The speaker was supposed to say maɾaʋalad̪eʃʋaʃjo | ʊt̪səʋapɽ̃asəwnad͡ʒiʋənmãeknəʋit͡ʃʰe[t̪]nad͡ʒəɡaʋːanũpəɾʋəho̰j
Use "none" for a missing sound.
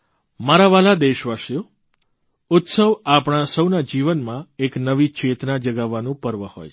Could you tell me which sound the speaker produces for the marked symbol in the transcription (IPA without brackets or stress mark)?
t̪